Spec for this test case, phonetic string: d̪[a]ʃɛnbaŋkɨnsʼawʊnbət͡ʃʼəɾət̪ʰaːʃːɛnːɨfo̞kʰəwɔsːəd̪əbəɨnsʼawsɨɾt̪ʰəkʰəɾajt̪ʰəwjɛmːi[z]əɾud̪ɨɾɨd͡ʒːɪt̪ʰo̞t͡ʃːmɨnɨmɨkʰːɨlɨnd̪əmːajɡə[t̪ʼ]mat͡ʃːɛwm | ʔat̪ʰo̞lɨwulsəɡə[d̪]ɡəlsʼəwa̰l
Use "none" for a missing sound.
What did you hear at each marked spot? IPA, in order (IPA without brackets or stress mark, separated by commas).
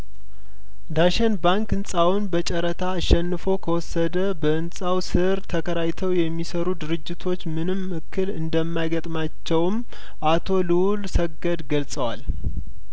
a, s, t̪ʼ, d̪